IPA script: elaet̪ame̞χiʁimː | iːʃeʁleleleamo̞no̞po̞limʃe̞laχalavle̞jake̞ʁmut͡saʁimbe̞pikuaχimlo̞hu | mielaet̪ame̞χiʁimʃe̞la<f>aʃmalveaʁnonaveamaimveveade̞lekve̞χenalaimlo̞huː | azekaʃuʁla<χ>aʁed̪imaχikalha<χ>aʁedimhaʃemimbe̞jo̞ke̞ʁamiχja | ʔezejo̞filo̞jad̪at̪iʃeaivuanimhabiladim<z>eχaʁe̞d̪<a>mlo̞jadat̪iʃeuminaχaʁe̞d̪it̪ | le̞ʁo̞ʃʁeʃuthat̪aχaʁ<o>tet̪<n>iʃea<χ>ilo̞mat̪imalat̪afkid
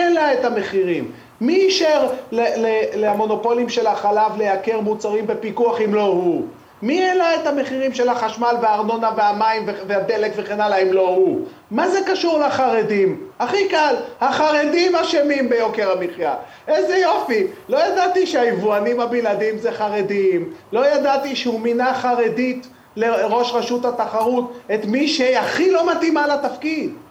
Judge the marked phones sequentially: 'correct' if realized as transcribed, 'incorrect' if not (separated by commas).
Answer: incorrect, correct, correct, correct, incorrect, incorrect, incorrect, correct